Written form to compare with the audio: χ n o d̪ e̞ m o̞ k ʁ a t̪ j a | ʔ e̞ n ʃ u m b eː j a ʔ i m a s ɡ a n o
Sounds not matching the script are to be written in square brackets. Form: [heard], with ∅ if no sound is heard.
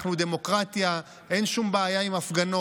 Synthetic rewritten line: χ n [u] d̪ e̞ m o̞ k ʁ a t̪ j a | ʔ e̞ n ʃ u m b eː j a [∅] i m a [f] ɡ a n o